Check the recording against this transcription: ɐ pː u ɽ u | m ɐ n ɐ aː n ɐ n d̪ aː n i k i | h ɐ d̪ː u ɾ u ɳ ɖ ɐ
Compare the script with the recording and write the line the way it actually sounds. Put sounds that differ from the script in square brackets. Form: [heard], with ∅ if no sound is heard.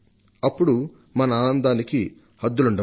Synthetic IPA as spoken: ɐ pː u ɽ u | m ɐ n ɐ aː n ɐ n d̪ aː n i k i | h ɐ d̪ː u [l] u ɳ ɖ ɐ